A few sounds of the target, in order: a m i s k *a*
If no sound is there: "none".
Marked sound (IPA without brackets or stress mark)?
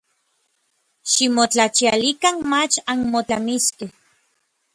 e